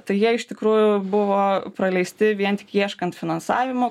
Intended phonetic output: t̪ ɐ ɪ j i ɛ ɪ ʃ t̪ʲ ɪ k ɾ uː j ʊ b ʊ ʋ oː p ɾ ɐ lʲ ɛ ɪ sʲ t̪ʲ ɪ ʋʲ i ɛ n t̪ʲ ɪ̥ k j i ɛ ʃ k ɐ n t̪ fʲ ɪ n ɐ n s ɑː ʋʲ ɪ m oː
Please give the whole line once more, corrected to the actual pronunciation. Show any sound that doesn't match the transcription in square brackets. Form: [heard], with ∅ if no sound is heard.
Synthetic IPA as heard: t̪ ɐ ɪ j i ɛ ɪ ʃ t̪ʲ ɪ k ɾ uː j ʊ b ʊ ʋ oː p ɾ ɐ lʲ ɛ ɪ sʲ t̪ʲ ɪ ʋʲ i ɛ n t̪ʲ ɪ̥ k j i ɛ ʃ k ɐ n t̪ fʲ ɪ n ɐ n s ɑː ʋʲ ɪ m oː